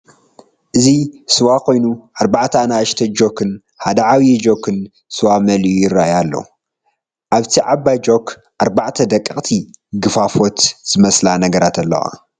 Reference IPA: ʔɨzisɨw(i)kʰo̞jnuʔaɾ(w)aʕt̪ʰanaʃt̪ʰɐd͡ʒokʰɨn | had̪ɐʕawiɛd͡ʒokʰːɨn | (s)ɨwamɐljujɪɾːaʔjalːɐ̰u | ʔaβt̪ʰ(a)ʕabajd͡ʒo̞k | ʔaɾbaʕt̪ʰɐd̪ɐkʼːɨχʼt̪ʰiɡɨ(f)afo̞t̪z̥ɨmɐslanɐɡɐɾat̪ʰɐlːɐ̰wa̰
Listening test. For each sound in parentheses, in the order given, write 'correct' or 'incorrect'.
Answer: incorrect, incorrect, correct, incorrect, correct

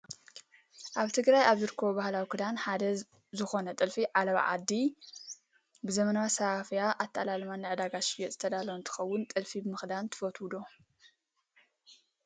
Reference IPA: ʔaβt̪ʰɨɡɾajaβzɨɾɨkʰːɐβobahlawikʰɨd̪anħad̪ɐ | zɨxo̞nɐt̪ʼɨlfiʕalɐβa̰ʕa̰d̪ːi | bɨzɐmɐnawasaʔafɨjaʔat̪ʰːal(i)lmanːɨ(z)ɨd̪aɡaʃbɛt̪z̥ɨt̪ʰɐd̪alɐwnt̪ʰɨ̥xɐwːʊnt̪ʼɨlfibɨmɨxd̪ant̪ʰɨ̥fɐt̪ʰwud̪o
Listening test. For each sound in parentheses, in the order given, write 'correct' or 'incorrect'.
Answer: incorrect, incorrect

